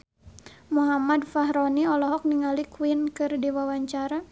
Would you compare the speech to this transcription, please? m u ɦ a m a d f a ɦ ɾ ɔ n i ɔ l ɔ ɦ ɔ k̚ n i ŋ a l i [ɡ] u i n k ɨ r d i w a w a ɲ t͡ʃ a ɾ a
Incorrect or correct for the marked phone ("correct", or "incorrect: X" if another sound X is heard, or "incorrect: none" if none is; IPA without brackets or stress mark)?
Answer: incorrect: k